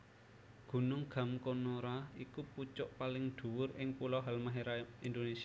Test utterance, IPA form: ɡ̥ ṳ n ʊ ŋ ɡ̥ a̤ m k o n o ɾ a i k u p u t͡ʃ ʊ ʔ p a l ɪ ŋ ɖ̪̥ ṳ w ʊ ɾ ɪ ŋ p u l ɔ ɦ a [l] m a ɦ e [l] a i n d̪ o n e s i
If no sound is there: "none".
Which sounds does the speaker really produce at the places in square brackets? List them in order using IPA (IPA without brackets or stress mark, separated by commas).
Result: l, ɾ